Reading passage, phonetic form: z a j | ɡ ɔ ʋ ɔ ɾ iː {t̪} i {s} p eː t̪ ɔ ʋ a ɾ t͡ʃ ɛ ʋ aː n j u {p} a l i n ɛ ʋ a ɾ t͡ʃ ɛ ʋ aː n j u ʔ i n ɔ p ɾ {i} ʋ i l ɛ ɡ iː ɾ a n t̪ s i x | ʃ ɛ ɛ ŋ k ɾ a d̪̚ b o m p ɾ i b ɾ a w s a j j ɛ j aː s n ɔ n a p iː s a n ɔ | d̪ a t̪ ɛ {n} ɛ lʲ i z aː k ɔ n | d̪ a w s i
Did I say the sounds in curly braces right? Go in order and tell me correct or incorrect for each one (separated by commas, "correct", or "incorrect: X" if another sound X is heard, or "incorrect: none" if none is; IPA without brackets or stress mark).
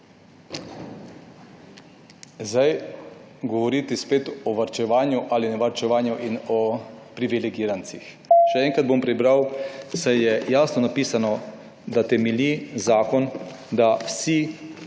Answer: correct, correct, incorrect: ʔ, correct, incorrect: m